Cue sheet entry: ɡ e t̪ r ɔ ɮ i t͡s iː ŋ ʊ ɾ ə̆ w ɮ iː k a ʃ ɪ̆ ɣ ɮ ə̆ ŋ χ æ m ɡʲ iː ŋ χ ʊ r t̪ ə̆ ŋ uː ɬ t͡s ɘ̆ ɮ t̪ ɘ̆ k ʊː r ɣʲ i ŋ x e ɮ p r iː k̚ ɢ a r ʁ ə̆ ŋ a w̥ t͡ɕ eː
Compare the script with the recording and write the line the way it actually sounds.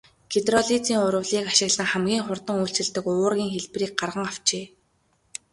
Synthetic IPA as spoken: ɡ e t̪ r ɔ ɮ i t͡s iː ŋ ʊ ɾ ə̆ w ɮ iː k a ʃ ɪ̆ ɣ ɮ ə̆ ŋ χ æ m ɡʲ iː ŋ χ ʊ r t̪ ə̆ ŋ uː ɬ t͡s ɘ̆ ɮ t̪ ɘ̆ k ʊː r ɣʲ iː ŋ x e ɮ p r iː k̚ ɢ a r ʁ ə̆ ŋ a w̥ t͡ɕ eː